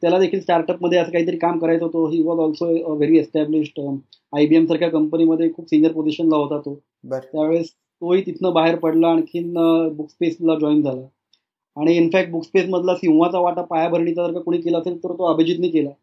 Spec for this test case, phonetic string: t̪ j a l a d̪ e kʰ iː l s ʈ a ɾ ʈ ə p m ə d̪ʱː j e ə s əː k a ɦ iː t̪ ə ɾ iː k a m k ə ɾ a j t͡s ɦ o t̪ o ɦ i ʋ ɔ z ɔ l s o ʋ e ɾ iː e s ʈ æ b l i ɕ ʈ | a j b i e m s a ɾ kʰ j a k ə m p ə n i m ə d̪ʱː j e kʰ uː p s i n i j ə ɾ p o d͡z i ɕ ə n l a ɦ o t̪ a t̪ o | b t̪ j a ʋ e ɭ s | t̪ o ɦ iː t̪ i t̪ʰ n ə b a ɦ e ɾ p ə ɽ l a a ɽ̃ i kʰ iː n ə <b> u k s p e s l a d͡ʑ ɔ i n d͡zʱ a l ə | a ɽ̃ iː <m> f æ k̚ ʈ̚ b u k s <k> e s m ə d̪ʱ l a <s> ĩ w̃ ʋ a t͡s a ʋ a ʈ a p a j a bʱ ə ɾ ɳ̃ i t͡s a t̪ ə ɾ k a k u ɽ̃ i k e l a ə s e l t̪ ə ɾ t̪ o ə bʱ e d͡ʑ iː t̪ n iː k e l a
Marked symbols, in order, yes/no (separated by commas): yes, no, no, yes